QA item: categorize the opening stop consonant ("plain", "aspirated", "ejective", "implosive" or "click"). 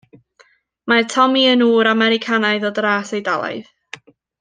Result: aspirated